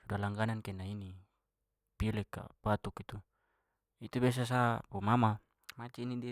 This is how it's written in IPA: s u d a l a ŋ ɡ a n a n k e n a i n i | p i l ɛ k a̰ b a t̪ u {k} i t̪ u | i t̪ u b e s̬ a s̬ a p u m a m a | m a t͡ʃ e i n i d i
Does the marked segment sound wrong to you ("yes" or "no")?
no